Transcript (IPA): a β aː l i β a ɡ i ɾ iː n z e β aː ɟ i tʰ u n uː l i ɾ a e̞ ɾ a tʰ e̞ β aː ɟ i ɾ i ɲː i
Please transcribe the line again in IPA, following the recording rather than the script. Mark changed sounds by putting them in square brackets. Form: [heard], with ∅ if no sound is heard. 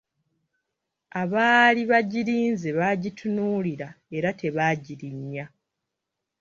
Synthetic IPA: a β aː l i β a [ɟ] i ɾ iː n z e β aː ɟ i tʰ u n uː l i ɾ a e̞ ɾ a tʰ e̞ β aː ɟ i ɾ i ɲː [a]